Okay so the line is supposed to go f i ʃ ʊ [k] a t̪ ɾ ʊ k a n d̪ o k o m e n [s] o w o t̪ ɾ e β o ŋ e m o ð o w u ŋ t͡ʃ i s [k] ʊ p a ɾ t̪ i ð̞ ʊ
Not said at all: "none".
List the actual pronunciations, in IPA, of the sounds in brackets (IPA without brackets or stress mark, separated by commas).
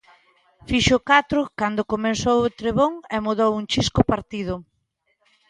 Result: k, s, k